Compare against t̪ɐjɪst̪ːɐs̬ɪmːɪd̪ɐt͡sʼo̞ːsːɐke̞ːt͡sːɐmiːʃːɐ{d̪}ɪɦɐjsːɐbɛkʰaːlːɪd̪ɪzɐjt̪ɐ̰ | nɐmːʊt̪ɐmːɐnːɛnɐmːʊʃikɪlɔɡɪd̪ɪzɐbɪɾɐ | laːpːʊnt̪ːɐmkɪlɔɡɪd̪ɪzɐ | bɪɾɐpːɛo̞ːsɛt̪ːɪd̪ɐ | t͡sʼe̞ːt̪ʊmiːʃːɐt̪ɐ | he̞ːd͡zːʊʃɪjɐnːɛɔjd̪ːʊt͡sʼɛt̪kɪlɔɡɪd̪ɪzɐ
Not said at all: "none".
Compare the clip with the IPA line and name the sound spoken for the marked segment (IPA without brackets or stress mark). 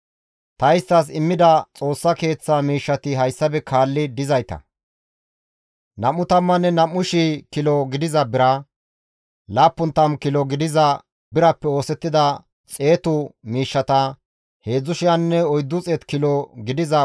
t̪